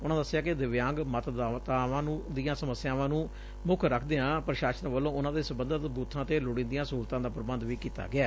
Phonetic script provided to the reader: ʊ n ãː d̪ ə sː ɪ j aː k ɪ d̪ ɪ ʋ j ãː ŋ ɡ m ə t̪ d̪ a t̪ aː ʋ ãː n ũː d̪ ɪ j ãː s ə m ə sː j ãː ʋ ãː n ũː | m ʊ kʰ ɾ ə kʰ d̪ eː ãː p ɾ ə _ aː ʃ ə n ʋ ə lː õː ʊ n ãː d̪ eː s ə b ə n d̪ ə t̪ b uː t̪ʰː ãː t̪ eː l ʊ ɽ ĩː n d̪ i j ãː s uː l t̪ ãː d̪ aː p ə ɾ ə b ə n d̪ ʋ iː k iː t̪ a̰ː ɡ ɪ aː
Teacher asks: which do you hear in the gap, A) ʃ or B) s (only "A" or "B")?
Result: A